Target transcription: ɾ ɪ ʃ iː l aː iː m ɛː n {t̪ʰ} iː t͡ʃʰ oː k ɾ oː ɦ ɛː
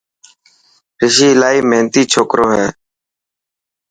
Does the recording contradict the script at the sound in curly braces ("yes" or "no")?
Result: yes